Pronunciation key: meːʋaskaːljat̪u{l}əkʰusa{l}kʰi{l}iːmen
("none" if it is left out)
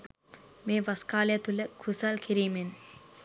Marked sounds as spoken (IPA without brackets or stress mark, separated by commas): l, l, ɾ